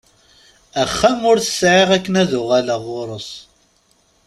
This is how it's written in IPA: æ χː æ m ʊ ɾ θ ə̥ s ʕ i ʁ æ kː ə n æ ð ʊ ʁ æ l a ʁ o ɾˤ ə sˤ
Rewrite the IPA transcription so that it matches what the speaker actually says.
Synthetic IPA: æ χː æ m ʊ ɾ θ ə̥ s ʕ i ʁ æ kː ə n æ ð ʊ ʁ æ l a ʁ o ɾˤ ə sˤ